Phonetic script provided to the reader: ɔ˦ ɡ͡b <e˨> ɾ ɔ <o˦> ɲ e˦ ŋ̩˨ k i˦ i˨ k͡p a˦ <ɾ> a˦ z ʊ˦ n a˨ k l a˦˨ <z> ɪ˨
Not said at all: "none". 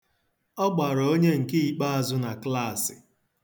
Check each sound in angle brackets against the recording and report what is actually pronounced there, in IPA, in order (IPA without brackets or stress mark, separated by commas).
a˨, o˦, none, s